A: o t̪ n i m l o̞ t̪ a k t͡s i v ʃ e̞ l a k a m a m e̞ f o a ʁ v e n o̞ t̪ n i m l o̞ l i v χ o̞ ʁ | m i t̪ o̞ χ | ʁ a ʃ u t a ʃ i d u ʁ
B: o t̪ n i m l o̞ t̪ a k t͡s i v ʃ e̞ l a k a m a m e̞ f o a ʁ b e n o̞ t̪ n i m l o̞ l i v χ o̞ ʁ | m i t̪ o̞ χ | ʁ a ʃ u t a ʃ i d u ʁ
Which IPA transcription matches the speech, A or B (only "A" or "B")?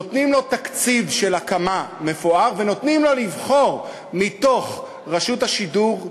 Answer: A